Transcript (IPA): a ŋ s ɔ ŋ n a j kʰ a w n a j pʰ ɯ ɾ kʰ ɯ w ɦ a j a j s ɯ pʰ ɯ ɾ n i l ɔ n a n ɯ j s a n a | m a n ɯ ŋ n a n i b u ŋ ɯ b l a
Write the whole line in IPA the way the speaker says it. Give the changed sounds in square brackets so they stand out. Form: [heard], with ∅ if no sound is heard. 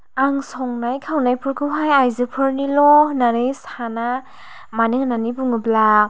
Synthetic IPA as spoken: a ŋ s ɔ ŋ n a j kʰ a w n a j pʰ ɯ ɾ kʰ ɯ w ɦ a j a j [z] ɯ pʰ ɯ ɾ n i l ɔ n a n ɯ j s a n a | m a n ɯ ŋ n a n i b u ŋ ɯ b l a